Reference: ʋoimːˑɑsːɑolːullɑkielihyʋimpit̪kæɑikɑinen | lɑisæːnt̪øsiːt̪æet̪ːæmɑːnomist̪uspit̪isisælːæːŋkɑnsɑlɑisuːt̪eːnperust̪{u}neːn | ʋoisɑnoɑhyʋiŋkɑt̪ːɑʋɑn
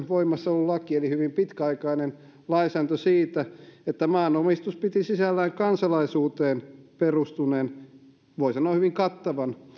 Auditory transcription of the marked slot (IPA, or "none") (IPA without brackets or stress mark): u